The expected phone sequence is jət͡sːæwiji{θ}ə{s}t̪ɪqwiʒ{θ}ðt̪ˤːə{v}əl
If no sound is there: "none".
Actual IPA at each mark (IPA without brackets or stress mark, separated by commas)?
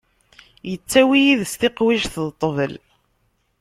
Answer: ð, s, θ, v